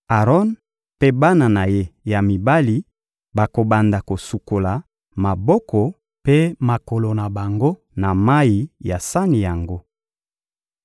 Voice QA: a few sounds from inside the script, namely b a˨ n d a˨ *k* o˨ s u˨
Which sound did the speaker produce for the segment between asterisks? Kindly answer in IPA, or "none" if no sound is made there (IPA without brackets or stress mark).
k